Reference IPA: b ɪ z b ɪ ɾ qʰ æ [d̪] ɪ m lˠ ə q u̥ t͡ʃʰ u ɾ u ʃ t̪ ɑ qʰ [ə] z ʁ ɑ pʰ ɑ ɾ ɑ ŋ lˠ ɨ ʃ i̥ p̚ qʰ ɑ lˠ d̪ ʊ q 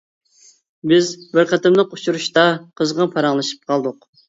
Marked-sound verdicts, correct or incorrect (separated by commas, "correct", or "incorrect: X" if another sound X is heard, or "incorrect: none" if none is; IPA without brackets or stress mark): incorrect: t̪, correct